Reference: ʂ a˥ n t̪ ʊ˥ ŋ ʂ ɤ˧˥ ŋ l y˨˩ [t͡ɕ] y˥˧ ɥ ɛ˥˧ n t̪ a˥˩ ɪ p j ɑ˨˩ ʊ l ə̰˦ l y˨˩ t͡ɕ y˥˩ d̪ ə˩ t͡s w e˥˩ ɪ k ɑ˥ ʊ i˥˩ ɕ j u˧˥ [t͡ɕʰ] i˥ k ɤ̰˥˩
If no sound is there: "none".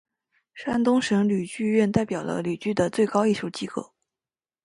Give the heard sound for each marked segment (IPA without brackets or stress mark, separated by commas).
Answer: t͡ɕ, t͡ɕ